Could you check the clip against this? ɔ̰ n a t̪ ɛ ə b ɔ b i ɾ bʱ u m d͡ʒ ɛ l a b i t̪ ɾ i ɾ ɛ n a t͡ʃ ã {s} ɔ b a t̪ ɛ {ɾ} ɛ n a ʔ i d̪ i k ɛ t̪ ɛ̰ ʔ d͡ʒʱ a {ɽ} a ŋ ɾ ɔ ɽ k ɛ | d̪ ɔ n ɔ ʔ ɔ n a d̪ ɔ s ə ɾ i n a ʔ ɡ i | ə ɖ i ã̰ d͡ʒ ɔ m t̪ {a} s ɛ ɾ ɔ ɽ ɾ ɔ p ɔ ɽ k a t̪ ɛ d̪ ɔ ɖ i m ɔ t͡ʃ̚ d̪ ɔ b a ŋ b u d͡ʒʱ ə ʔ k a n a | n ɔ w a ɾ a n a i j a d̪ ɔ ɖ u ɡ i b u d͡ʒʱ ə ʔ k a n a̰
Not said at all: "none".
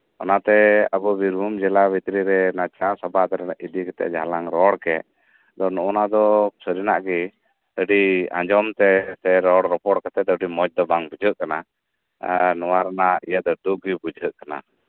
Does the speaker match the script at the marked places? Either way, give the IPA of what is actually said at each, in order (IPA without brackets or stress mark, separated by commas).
s, ɾ, l, ɛ